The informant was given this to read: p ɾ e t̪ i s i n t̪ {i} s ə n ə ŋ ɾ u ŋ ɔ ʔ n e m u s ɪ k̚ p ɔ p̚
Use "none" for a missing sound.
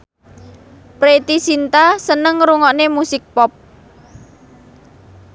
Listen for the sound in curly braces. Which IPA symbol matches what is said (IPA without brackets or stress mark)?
a